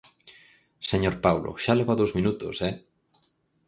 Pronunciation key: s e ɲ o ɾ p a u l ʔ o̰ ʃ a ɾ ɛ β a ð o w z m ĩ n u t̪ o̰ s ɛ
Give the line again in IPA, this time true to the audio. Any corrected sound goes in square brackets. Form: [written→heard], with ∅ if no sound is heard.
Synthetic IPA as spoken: s e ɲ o ɾ p a [u→w] l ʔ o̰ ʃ a [ɾ→l] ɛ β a ð o w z m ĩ n u t̪ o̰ s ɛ